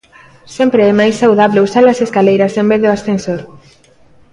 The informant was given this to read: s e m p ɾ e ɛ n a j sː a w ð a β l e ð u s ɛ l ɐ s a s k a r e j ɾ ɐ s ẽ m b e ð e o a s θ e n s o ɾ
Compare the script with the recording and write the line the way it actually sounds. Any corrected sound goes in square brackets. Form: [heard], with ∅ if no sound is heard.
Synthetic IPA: s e m p ɾ e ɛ [m] a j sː a w ð a β l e [∅] u s [a] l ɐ s [e] s k a [l] e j ɾ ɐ s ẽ m b e ð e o a s θ e n s o ɾ

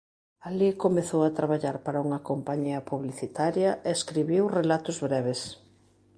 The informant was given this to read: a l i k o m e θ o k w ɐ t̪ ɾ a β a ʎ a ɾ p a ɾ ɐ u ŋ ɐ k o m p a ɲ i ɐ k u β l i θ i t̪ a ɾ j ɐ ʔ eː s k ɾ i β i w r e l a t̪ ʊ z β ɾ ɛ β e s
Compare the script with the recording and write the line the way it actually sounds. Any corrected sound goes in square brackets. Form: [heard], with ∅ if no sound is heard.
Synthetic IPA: a l i k o m e θ o [∅] w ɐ t̪ ɾ a β a ʎ a ɾ p a ɾ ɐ u ŋ ɐ k o m p a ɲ i ɐ [p] u β l i θ i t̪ a ɾ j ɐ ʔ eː s k ɾ i β i w r e l a t̪ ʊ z β ɾ ɛ β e s

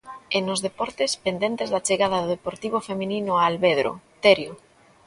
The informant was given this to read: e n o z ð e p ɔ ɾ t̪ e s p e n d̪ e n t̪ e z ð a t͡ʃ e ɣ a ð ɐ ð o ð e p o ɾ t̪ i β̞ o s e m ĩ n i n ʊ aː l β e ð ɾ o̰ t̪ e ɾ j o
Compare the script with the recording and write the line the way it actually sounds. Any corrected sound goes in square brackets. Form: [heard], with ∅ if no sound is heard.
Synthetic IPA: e n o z ð e p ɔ ɾ t̪ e s p e n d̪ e n t̪ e z ð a t͡ʃ e ɣ a ð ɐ ð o ð e p o ɾ t̪ i β̞ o [f] e m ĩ n i n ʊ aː l β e ð ɾ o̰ t̪ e ɾ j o

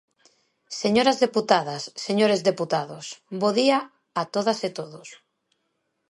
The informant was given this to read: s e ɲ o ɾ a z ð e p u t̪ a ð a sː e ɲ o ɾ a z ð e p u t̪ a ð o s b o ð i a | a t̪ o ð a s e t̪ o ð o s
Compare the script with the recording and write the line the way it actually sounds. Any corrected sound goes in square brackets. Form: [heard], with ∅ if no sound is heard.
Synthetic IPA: s e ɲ o ɾ a z ð e p u t̪ a ð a sː e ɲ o ɾ [e] z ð e p u t̪ a ð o s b o ð i a | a t̪ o ð a s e t̪ o ð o s

